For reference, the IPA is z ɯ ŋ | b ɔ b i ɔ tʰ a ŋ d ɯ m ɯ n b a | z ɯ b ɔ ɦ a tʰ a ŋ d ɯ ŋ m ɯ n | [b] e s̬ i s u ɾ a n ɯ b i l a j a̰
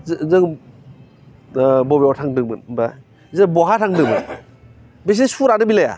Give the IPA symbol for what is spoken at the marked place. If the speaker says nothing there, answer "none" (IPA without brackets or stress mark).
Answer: b